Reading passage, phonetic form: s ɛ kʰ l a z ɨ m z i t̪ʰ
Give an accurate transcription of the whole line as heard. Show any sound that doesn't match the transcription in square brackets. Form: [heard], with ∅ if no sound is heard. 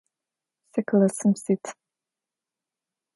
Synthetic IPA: s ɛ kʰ l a [s] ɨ m [s] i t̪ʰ